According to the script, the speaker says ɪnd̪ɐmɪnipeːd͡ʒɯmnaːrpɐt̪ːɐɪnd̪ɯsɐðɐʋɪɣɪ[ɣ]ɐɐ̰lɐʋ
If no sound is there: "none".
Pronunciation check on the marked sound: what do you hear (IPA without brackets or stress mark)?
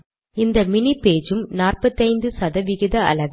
ð